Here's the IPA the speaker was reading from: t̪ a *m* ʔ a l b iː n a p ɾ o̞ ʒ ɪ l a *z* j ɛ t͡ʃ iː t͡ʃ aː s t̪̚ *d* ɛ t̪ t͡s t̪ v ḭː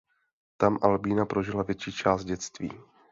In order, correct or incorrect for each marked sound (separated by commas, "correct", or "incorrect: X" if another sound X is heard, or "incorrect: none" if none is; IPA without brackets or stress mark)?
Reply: correct, incorrect: v, incorrect: ɟ